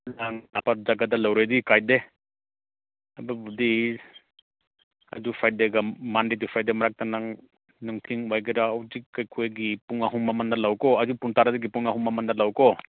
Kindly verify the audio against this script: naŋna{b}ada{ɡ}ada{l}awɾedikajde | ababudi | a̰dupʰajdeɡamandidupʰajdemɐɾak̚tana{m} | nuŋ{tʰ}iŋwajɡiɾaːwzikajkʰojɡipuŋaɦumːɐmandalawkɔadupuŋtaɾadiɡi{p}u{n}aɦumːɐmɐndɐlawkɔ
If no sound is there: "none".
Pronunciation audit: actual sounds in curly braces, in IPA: p, ɡ, l, ŋ, tʰ, p, ŋ

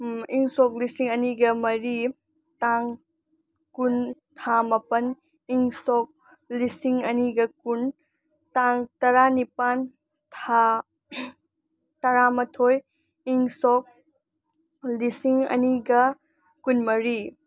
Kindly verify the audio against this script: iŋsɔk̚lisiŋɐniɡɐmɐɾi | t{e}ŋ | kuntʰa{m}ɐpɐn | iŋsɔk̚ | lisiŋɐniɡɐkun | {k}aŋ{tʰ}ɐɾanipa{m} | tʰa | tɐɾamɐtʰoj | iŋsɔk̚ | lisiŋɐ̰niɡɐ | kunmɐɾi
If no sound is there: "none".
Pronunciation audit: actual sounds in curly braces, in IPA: a, m, t, t, n

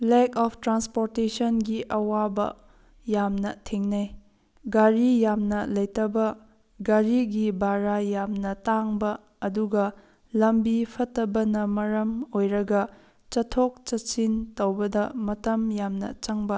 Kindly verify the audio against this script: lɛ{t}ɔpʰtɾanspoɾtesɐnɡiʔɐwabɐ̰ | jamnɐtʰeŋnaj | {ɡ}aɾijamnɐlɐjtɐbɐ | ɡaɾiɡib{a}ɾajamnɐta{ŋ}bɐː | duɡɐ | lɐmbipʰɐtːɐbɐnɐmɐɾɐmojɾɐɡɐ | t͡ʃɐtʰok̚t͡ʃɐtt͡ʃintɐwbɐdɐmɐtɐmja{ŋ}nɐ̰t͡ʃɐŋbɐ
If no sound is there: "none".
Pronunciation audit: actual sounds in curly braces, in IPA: k, ɡ, a, ŋ, m

